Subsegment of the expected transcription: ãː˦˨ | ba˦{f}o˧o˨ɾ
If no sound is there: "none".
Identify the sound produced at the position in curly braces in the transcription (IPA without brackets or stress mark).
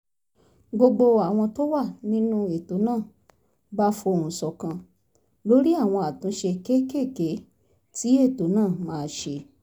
f